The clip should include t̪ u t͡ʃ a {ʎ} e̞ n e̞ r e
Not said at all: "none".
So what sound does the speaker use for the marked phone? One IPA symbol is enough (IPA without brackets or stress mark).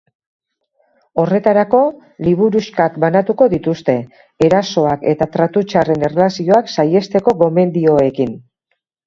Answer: r